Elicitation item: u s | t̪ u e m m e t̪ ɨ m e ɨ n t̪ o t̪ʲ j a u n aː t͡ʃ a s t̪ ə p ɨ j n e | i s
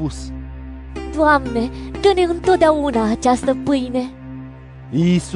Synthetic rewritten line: u s | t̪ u a m n e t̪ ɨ n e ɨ n t̪ o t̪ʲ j a u n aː t͡ʃ a s t̪ ə p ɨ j n e | i s